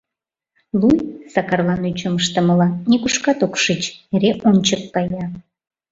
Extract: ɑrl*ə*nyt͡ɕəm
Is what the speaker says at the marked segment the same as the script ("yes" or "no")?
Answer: no